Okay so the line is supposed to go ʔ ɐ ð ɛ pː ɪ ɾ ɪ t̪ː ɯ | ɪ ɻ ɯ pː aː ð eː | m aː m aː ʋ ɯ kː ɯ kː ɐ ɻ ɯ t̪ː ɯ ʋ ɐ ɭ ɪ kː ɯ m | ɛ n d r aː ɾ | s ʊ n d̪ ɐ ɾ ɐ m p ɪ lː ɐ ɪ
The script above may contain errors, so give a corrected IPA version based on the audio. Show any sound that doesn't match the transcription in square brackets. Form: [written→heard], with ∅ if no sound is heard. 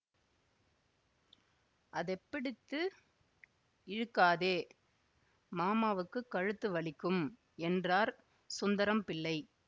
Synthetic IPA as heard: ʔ ɐ ð ɛ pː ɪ [ɾ→ɽ] ɪ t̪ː ɯ | ɪ ɻ ɯ [pː→kː] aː ð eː | m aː m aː ʋ ɯ kː ɯ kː ɐ ɻ ɯ t̪ː ɯ ʋ ɐ ɭ ɪ kː ɯ m | ɛ n d r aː ɾ | s ʊ n d̪ ɐ ɾ ɐ m p ɪ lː ɐ ɪ